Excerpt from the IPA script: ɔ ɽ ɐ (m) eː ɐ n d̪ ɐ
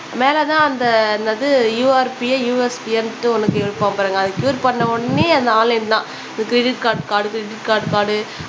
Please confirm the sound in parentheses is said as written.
no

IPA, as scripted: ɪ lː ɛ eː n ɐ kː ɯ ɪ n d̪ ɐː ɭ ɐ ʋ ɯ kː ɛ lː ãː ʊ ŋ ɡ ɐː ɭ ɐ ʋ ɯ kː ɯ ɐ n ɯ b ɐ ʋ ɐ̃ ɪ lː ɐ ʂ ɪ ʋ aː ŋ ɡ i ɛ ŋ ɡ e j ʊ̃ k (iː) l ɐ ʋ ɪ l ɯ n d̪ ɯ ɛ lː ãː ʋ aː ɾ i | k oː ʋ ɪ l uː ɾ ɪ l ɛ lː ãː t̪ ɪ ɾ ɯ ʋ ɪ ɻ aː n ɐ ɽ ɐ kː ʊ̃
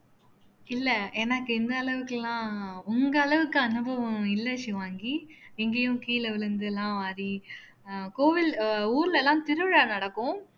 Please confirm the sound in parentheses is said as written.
yes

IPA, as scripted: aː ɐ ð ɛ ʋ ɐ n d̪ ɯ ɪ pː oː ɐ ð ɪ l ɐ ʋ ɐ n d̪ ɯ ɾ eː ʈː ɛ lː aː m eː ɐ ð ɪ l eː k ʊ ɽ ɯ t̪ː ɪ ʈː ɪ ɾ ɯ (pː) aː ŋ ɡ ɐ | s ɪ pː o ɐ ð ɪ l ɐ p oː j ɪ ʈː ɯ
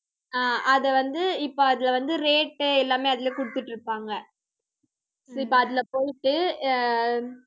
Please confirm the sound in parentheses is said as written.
yes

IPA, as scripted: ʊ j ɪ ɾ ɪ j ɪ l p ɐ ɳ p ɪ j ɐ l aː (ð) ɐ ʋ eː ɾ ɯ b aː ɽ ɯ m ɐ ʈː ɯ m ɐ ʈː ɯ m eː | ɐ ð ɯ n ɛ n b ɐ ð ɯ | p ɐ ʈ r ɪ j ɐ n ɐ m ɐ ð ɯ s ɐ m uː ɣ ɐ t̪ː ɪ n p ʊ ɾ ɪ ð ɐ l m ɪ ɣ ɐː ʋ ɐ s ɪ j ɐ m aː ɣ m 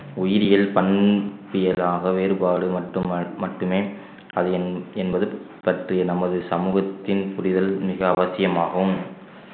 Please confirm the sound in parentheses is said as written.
no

